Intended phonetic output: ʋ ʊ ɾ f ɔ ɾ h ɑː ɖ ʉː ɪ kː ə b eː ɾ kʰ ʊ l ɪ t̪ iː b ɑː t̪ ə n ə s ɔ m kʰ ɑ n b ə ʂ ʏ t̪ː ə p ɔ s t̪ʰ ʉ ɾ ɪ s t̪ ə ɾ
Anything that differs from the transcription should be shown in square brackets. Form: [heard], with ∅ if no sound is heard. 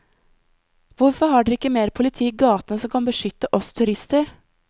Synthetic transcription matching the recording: ʋ ʊ ɾ f ɔ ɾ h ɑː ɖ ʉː ɪ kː ə [m] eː ɾ [pʰ] ʊ l ɪ [t̪ʰ] iː [ɡ] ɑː t̪ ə n ə s ɔ m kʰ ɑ n b ə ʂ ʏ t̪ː ə [ʔ] ɔ s t̪ʰ ʉ ɾ ɪ s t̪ ə ɾ